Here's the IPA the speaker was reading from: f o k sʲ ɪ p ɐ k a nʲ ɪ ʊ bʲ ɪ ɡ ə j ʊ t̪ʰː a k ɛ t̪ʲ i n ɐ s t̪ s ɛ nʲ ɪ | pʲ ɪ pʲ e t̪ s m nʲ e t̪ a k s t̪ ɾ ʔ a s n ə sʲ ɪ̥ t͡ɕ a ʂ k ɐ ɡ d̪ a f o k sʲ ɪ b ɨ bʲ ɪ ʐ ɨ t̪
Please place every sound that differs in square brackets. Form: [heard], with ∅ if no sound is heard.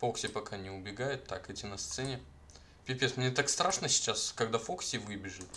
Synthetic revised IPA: f o k sʲ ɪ p ɐ k a nʲ ɪ ʊ bʲ ɪ ɡ [a] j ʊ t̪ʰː a k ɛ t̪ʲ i n ɐ s t̪ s ɛ nʲ ɪ | pʲ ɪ pʲ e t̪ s m nʲ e t̪ a k s t̪ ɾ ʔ a [ʂ] n ə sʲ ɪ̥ t͡ɕ a [s] k ɐ ɡ d̪ a f o k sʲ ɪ [v] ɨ bʲ ɪ ʐ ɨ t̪